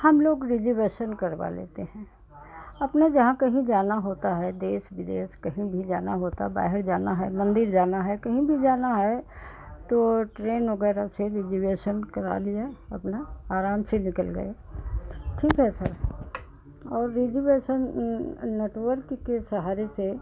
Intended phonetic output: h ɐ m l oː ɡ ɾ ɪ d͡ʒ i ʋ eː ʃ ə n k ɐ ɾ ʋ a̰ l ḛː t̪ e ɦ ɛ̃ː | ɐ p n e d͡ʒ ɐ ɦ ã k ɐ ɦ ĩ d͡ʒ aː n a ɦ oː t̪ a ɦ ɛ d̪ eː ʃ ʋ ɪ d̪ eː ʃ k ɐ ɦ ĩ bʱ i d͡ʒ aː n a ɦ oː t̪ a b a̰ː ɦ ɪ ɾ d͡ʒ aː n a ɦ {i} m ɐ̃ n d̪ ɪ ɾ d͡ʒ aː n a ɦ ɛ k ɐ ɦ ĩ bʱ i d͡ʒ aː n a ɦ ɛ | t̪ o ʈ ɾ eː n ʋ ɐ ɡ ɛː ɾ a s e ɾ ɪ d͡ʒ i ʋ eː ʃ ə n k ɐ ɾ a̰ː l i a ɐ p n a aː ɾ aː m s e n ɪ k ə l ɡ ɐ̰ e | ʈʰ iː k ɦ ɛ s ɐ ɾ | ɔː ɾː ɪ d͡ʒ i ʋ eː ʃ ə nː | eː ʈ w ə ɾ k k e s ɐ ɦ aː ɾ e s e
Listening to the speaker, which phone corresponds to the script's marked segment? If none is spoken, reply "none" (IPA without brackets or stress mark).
ɛ